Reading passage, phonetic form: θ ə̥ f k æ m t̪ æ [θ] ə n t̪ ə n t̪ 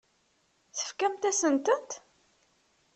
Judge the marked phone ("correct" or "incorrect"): incorrect